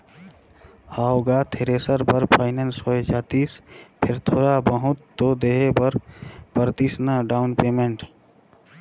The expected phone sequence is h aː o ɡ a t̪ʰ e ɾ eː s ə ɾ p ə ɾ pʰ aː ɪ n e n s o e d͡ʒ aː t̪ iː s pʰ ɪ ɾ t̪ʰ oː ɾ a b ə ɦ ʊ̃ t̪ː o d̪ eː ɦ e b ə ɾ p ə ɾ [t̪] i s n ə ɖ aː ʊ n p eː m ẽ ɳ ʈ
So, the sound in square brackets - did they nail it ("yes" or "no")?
yes